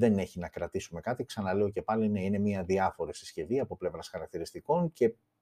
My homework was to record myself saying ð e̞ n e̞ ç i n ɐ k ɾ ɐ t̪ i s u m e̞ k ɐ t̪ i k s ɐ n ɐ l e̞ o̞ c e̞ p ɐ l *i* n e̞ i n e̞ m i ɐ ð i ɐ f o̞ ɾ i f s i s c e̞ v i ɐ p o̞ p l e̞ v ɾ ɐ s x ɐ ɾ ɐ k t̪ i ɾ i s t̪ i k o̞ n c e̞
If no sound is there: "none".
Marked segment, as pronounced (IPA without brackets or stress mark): i